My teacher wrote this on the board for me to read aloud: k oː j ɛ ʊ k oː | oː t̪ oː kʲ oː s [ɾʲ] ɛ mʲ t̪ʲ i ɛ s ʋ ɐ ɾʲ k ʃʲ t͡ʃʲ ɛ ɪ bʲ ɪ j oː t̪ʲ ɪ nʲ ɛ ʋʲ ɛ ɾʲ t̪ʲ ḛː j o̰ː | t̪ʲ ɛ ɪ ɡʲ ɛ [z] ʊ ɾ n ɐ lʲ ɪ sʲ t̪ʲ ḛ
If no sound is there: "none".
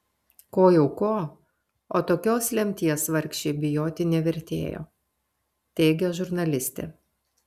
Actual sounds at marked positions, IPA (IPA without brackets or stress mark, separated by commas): lʲ, ʒ